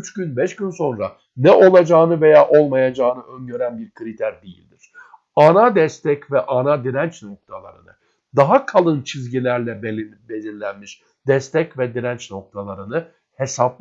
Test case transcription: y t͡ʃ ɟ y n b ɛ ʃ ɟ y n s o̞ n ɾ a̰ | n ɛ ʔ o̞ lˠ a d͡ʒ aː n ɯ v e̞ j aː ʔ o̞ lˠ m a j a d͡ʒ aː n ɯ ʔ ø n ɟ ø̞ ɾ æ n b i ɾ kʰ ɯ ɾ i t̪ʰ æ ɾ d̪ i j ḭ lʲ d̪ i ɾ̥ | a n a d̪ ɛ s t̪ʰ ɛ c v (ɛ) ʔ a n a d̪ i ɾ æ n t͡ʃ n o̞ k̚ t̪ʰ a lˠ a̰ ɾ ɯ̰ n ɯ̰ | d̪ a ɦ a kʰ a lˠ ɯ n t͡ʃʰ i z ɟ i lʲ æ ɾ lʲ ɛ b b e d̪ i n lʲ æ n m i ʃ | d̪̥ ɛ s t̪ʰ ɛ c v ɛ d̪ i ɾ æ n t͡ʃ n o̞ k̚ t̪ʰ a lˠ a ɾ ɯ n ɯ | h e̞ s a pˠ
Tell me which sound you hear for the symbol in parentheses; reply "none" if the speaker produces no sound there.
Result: ɛ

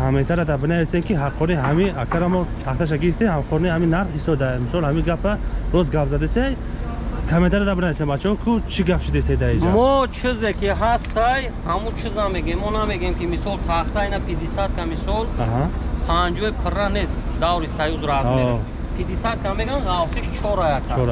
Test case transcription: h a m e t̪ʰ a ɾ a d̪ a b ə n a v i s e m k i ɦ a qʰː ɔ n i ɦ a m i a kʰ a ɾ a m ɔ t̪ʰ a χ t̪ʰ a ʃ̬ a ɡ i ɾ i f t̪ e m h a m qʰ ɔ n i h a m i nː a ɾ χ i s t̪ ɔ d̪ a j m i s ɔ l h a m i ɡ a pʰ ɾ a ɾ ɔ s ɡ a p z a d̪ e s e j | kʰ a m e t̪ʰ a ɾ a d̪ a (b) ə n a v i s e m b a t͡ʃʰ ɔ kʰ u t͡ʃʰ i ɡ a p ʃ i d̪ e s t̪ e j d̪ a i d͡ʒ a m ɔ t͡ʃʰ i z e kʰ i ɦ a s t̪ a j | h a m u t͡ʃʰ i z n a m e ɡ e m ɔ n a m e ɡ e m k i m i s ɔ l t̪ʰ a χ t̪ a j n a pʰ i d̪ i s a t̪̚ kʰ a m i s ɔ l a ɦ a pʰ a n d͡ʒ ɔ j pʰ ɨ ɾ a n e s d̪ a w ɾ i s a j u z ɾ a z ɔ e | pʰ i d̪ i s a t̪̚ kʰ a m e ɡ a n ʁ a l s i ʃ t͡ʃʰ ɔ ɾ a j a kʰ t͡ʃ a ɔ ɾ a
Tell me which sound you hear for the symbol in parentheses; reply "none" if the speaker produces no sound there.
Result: b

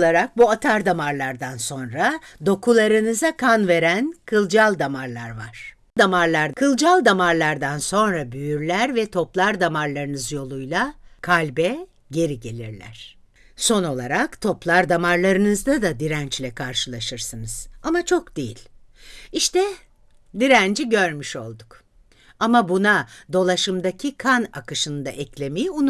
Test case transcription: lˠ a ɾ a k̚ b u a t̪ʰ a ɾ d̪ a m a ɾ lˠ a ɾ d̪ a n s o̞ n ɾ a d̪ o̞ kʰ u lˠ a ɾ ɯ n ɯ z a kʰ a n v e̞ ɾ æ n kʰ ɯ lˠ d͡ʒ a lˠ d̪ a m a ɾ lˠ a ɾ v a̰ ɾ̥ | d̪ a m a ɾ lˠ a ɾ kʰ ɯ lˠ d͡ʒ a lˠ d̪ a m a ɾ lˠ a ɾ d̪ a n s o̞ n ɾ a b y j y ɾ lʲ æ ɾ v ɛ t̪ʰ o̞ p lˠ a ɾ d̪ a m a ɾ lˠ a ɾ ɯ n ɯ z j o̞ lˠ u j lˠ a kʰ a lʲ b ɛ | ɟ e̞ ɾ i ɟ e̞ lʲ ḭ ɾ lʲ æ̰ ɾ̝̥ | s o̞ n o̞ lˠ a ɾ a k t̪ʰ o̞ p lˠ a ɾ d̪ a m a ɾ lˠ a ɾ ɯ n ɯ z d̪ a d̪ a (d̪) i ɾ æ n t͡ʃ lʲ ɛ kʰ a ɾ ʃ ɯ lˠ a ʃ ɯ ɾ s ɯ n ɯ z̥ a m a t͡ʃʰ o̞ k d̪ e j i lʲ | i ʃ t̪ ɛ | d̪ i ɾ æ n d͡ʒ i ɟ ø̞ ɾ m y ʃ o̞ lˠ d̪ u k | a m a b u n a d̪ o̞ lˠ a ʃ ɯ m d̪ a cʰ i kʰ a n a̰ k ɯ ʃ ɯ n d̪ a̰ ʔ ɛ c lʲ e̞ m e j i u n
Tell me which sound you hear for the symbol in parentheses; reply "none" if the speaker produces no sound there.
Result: d̪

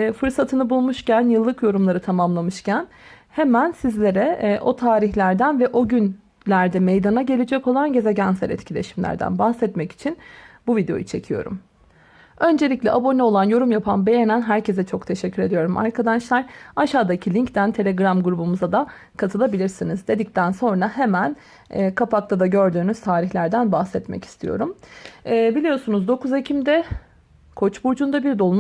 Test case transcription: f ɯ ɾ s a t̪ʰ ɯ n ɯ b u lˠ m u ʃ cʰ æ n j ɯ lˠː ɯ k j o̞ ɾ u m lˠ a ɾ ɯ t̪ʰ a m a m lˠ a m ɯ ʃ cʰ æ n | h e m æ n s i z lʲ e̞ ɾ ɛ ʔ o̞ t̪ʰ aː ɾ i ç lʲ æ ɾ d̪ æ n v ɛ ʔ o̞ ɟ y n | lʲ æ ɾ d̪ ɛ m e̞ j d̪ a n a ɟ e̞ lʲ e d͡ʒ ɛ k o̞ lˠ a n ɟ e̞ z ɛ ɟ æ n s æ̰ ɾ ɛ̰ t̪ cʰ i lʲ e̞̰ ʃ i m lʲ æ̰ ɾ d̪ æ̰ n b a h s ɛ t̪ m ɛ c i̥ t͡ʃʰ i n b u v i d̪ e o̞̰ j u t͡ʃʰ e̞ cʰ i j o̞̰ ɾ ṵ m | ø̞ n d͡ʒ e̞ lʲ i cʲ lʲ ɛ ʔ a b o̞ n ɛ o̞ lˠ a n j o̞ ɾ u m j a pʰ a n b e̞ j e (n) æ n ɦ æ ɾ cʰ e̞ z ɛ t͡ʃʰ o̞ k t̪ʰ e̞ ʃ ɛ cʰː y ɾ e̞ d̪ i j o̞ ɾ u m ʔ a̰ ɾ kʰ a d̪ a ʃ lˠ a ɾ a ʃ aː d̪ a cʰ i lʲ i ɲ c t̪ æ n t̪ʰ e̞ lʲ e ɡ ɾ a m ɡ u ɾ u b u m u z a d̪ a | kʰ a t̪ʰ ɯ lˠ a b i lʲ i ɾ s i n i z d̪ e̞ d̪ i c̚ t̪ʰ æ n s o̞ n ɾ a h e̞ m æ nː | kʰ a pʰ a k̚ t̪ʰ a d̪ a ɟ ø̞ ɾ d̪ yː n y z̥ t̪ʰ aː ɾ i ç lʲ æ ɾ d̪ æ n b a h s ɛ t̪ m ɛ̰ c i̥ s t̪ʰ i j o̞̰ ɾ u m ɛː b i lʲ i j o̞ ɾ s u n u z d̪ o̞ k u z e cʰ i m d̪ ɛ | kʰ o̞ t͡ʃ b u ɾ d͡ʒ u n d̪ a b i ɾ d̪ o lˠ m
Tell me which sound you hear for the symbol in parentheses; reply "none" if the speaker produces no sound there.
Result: n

